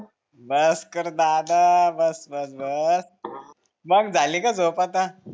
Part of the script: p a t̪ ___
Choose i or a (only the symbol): a